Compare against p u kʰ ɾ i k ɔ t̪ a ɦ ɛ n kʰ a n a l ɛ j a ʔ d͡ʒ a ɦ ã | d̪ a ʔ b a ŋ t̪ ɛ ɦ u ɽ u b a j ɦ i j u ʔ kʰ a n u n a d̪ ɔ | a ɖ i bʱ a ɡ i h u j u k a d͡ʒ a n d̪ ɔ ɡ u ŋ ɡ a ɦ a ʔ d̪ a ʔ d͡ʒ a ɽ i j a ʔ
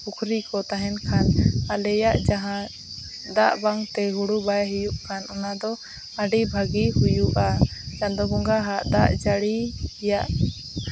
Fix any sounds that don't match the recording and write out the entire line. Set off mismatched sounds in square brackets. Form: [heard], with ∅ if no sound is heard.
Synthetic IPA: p u kʰ ɾ i k ɔ t̪ a ɦ ɛ n kʰ a n a l ɛ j a ʔ d͡ʒ a ɦ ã | d̪ a ʔ b a ŋ t̪ ɛ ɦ u ɽ u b a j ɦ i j u ʔ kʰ a n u n a d̪ ɔ | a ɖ i bʱ a ɡ i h u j u [ʔ] a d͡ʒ a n d̪ ɔ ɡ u ŋ ɡ a ɦ a ʔ d̪ a ʔ d͡ʒ a ɽ i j a ʔ